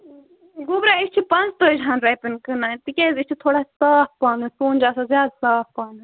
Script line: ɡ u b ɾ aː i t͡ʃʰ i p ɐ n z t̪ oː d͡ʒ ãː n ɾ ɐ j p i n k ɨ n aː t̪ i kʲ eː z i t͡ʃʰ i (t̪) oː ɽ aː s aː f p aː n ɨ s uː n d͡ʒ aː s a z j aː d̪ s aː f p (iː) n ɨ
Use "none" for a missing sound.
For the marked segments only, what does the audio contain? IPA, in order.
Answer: t̪ʰ, aː

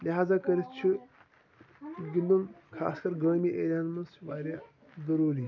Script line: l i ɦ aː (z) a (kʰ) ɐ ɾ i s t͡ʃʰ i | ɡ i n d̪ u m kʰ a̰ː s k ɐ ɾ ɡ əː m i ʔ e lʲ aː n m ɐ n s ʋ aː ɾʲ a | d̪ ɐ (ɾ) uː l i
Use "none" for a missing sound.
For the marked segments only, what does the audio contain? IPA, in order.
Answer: z, k, ɾ

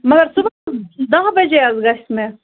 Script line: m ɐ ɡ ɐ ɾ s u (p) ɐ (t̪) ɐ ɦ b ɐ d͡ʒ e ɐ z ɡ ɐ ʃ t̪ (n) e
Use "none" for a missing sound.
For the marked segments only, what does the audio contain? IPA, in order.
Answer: b, d̪, m

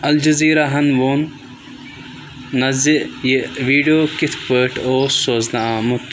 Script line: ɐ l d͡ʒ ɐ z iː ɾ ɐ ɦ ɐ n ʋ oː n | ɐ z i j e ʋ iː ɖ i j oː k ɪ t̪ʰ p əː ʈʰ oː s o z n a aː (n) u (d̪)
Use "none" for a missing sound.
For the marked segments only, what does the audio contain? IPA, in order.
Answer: m, t̪

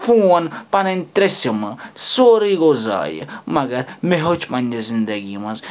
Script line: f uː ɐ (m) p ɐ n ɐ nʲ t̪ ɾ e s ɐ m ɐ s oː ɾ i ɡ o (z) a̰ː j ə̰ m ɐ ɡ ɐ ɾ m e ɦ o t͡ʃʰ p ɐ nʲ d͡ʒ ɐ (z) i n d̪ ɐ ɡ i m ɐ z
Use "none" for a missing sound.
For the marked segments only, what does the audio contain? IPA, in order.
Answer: n, z, z

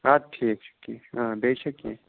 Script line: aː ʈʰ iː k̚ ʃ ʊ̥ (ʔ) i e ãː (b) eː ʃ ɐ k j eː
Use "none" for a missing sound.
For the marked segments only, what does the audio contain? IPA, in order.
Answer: k, b

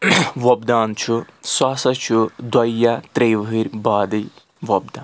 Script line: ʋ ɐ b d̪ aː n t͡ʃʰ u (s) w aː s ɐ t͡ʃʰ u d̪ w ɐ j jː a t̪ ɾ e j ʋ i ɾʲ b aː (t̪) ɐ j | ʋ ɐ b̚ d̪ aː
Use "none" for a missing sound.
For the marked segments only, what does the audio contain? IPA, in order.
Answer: s, d̪

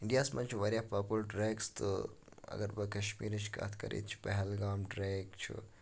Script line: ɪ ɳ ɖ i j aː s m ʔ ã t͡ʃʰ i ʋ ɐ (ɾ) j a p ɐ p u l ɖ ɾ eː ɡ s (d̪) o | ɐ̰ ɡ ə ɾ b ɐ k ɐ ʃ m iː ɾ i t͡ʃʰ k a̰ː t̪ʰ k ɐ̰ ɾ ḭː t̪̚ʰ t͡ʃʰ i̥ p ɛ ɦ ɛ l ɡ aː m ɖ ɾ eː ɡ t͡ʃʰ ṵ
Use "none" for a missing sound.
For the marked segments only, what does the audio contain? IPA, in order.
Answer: ɾ, t̪

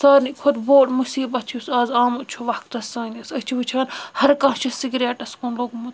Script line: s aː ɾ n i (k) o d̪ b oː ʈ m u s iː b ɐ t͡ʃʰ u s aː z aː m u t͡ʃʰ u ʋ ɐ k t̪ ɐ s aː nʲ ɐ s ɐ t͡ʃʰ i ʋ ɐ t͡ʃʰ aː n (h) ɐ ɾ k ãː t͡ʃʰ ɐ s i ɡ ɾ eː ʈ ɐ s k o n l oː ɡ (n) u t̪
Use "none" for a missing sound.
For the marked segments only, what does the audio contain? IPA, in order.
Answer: kʰ, h, m

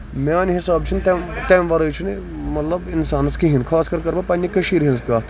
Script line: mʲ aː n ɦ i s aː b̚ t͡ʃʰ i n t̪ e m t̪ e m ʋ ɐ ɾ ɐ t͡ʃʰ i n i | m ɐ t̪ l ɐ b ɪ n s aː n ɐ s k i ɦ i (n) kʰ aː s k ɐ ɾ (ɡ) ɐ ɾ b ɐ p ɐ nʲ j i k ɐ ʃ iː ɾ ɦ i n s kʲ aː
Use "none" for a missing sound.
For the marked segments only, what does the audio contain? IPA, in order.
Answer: n, k

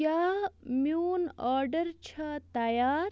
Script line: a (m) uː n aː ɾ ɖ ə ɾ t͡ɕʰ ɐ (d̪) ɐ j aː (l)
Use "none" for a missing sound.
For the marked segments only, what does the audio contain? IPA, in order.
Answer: m, t̪, ɾ

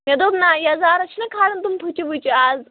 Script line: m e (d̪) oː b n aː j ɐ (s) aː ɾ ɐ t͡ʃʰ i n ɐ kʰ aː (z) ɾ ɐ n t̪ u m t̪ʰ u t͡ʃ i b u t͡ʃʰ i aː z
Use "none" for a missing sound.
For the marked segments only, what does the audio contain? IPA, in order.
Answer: d̪, z, none

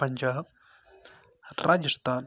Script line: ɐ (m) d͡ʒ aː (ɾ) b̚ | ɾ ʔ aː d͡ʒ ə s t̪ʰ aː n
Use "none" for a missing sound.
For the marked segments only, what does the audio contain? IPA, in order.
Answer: ɲ, none

